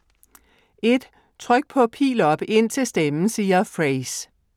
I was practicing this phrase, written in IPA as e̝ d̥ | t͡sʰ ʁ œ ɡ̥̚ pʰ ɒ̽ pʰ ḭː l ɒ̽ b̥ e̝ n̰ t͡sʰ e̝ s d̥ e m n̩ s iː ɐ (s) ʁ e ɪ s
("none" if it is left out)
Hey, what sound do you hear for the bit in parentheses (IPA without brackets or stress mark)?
f